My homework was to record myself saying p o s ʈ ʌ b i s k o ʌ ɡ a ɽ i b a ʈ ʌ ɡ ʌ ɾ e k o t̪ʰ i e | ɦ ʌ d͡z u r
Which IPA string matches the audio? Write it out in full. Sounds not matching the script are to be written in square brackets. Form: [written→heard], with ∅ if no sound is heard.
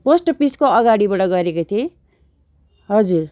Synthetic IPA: p o s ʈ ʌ [b→p] i s k o ʌ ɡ a ɽ i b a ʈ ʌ ɡ ʌ ɾ e k o t̪ʰ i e | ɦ ʌ d͡z u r

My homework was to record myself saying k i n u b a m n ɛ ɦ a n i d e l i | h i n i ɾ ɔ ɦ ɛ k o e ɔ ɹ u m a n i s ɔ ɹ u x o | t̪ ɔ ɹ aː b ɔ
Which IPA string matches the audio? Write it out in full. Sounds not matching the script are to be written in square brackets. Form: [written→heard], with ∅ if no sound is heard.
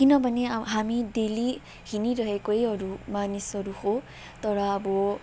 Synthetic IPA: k i n [u→ɔ] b a [m→∅] n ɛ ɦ a [n→m] i d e l i | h i n i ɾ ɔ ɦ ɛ k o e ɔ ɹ u m a n i s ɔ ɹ u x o | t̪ ɔ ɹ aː b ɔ

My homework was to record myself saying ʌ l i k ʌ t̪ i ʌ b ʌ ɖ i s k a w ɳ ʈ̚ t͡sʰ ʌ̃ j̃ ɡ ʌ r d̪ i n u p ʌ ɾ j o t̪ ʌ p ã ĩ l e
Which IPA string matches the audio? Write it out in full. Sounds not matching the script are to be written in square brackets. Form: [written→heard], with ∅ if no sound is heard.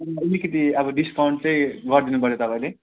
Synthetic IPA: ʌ l i k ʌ t̪ i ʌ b ʌ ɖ i s k a w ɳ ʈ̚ [t͡sʰ→t͡s] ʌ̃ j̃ ɡ ʌ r d̪ i n u p ʌ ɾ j o t̪ ʌ p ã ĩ l e

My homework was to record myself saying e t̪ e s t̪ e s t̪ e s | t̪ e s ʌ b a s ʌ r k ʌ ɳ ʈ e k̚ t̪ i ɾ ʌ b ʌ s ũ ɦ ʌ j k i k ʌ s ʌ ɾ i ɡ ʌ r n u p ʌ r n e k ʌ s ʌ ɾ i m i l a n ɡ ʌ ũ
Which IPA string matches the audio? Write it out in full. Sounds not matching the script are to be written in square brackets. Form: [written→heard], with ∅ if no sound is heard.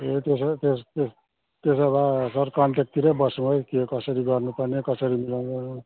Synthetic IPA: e t̪ e s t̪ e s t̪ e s | t̪ e s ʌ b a s ʌ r k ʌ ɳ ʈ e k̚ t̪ i ɾ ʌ b ʌ s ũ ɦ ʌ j k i k ʌ s ʌ ɾ i ɡ ʌ r n u p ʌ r n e k ʌ s ʌ ɾ i m i l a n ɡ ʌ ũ

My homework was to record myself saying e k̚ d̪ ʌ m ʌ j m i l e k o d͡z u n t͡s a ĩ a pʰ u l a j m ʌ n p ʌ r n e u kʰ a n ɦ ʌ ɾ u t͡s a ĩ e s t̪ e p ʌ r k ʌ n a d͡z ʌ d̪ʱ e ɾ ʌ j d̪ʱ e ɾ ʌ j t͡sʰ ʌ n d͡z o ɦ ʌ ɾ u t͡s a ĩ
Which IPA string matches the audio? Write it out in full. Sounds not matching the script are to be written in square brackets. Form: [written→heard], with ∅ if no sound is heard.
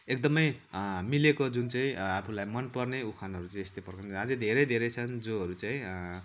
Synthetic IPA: e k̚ d̪ ʌ m ʌ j m i l e k o d͡z u n t͡s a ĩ a pʰ u l a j m ʌ n p ʌ r n e u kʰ a n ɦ ʌ ɾ u t͡s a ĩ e s t̪ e p ʌ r k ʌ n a d͡z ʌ d̪ʱ e ɾ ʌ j d̪ʱ e ɾ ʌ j t͡sʰ ʌ n d͡z o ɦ ʌ ɾ u t͡s a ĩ

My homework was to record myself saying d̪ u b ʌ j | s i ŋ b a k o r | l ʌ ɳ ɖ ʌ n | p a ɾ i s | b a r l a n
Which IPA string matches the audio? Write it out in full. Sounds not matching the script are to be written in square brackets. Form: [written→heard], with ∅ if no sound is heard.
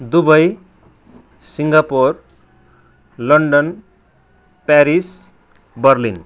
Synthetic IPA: d̪ u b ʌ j | s i ŋ [b→ɡ] a [k→p] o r | l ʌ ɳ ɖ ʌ n | p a ɾ i s | b [a→ʌ] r l [a→i] n

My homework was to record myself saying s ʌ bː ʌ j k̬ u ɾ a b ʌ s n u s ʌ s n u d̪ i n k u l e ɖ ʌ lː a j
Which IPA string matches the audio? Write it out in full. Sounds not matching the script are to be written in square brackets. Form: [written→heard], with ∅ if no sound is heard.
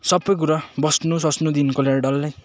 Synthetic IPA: s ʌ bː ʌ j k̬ u ɾ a b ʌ s n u s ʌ s n u d̪ i n k [u→o] l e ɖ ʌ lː a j

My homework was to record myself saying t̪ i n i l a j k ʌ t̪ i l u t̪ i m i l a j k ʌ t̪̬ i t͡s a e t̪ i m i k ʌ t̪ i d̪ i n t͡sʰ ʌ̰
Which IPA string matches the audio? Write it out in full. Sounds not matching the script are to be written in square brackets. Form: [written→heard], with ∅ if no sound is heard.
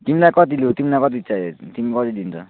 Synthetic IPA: t̪ i [n→m] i l a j k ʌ t̪ i l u t̪ i m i l a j k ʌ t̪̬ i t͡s a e t̪ i m i k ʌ t̪ i d̪ i n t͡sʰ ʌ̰

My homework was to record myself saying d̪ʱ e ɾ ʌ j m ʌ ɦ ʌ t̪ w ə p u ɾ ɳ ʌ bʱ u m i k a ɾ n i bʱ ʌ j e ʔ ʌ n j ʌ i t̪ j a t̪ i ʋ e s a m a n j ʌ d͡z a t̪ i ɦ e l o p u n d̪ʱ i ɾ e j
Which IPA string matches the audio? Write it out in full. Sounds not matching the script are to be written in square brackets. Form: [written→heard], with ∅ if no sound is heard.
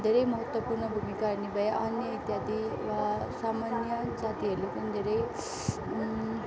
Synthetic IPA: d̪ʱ e ɾ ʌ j m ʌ ɦ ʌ t̪ w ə p u ɾ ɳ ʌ bʱ u m i k a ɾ n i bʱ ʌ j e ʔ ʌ n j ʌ i t̪ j a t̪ i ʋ [e→a] s a m a n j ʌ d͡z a t̪ i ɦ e l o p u n d̪ʱ [i→e] ɾ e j

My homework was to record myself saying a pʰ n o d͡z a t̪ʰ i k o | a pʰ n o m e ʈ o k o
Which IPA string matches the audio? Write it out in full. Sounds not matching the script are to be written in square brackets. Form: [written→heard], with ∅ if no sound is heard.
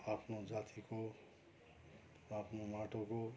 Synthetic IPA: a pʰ n o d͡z a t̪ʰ i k o | a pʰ n o m [e→a] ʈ o k o

